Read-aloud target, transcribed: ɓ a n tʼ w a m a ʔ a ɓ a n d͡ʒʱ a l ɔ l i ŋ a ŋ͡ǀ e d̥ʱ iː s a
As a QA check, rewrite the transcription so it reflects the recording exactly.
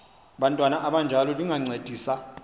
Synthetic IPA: ɓ a n tʼ w a n a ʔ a ɓ a n d͡ʒʱ a l ɔ l i ŋ a ŋ͡ǀ e d̥ʱ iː s a